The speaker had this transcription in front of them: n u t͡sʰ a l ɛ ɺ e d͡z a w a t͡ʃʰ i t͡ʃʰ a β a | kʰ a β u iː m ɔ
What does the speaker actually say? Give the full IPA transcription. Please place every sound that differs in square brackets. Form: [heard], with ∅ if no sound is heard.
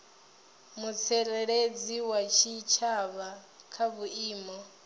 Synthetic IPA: [m] u t͡sʰ [ɛ] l ɛ ɺ e d͡z [i] w a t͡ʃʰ i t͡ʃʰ a β a | kʰ a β u iː m ɔ